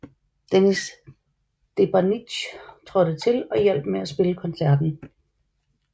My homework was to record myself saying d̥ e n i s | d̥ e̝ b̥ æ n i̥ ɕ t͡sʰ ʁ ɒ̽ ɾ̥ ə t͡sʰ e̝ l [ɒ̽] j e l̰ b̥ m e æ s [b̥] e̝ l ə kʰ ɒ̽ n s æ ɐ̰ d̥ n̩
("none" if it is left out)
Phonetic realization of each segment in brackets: ɒ̽, b̥

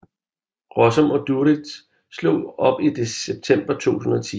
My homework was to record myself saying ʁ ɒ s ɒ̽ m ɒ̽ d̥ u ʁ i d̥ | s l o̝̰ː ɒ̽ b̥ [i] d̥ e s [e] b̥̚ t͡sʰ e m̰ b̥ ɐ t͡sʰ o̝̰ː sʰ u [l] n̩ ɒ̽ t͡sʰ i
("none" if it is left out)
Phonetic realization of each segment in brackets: i, e, none

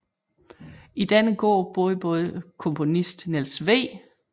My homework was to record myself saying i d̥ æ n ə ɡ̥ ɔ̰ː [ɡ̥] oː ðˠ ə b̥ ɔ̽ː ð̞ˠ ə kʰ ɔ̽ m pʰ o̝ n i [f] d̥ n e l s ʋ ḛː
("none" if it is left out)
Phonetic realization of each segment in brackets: b̥, s

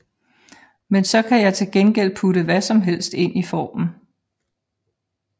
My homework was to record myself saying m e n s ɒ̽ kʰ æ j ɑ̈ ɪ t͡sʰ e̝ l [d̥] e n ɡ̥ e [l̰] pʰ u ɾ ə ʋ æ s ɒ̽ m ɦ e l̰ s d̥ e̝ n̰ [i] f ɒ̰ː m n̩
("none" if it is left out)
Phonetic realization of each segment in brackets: ɡ̥, l̰, i

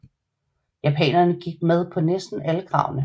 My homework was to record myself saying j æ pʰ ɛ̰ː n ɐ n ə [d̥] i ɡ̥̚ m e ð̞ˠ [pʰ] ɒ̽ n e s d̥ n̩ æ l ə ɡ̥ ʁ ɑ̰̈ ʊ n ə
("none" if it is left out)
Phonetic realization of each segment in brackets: ɡ̥, pʰ

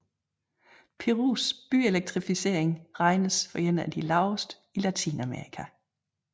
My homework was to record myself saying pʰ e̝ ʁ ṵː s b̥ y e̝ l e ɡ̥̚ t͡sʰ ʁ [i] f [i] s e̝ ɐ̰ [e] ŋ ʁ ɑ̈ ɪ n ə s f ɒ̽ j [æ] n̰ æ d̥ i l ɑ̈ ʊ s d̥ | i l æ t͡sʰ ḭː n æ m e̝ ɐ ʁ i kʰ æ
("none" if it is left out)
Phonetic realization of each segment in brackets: i, i, e, e

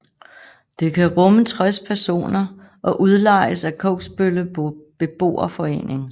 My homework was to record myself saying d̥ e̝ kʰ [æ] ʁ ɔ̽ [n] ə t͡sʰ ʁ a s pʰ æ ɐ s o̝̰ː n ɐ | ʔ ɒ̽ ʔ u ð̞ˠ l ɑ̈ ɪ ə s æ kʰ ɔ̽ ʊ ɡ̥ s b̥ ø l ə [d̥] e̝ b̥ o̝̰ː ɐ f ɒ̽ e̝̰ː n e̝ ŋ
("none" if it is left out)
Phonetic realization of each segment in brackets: æ, m, b̥

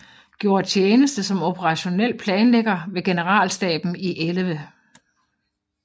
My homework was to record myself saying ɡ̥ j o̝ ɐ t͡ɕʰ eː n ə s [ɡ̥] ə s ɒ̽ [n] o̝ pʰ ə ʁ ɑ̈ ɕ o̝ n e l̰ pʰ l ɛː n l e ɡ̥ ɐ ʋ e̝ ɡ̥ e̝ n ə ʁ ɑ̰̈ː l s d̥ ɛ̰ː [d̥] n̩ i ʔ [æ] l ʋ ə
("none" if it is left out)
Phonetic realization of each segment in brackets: d̥, m, b̥, e

